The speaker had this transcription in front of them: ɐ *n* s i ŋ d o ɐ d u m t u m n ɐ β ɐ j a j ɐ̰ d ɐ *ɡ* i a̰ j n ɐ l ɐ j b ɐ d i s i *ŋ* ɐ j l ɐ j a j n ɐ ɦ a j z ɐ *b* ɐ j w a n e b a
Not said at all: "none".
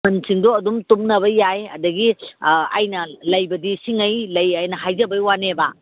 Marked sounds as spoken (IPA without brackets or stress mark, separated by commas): n, ɡ, ŋ, b